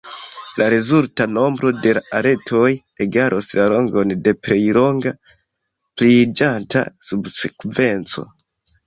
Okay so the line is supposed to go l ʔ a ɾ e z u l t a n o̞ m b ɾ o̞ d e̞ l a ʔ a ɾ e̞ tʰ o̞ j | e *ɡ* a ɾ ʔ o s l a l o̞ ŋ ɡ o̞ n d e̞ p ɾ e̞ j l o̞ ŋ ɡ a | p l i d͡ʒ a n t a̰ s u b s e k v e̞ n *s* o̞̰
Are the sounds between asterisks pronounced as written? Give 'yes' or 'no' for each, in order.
yes, no

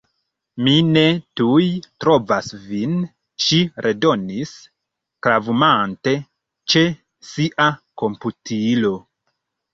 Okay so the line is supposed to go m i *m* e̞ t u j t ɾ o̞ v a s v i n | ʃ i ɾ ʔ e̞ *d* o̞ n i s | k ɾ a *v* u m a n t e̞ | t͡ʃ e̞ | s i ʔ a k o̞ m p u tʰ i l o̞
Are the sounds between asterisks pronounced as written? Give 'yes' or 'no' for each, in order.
no, yes, yes

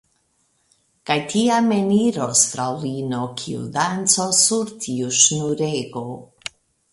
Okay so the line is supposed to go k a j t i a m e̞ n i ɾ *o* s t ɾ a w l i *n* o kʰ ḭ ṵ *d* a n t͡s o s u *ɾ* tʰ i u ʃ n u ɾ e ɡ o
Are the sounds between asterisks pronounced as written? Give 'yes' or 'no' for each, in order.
yes, yes, yes, yes

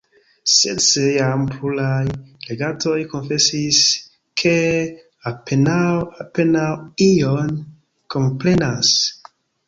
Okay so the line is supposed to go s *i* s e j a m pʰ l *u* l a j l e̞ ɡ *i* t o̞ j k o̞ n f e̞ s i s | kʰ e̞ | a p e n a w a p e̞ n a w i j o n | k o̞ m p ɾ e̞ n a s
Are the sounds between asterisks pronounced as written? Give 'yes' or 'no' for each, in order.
no, yes, no

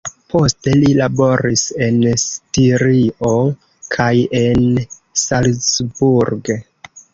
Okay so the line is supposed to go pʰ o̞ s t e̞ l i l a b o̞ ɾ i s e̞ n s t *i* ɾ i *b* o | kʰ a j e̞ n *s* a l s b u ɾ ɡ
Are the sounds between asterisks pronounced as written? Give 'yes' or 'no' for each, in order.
yes, no, yes

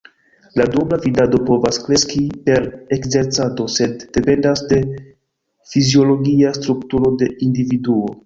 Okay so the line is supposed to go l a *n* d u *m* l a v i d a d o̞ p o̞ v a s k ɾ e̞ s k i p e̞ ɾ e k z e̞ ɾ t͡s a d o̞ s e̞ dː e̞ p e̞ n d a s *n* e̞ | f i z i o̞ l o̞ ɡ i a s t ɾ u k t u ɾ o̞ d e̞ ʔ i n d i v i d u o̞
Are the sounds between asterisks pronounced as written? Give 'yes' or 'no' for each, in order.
no, no, no

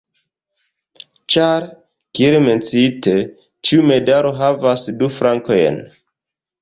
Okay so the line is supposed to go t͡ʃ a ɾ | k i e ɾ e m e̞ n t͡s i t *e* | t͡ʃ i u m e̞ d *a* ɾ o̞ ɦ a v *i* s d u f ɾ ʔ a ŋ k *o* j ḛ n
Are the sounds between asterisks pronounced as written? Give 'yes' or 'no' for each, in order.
yes, yes, no, yes

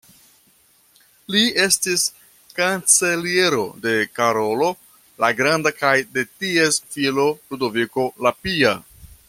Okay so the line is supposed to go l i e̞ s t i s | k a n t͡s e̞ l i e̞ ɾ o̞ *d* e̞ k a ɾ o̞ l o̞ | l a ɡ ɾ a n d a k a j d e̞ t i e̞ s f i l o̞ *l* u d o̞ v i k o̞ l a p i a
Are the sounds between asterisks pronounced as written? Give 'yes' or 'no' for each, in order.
yes, yes

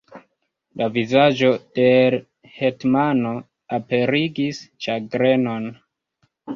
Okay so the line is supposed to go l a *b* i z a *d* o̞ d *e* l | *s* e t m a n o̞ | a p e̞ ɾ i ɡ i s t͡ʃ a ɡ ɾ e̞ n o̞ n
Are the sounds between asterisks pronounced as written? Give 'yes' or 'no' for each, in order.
no, no, yes, no

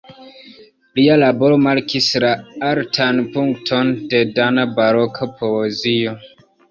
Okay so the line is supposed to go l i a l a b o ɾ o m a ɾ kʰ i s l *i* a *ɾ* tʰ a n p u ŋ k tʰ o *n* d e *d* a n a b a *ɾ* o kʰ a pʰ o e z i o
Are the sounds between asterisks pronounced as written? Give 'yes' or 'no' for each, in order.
no, yes, yes, yes, yes

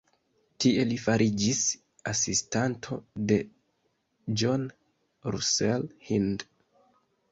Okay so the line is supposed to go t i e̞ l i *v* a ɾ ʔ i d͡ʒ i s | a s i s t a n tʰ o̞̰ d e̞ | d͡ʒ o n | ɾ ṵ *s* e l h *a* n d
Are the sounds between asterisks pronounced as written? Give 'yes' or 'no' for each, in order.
no, yes, no

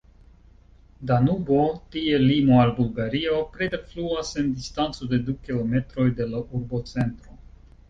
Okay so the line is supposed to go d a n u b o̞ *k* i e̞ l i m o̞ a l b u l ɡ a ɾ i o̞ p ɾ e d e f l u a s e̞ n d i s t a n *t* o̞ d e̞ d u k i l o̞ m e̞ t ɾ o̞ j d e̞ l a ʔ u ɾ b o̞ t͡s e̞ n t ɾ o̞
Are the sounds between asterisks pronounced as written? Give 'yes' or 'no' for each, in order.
no, no

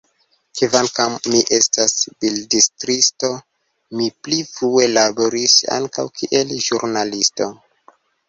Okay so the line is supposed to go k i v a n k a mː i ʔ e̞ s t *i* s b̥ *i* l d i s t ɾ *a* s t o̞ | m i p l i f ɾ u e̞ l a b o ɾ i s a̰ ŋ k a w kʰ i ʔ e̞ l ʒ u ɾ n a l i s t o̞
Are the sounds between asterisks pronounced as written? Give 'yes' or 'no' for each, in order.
no, yes, no

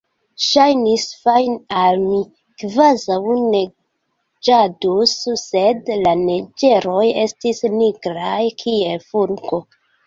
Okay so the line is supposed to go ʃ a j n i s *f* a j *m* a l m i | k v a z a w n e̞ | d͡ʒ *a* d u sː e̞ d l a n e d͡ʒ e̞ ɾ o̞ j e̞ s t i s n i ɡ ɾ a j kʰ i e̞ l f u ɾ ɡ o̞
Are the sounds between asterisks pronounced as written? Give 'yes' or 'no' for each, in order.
yes, no, yes

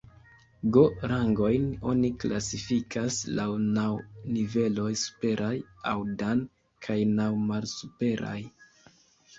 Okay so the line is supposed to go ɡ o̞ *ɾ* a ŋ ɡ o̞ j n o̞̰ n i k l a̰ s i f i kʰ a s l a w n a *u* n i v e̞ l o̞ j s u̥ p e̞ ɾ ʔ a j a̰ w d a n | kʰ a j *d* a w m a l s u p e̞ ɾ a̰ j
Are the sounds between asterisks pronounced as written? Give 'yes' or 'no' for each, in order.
yes, no, no

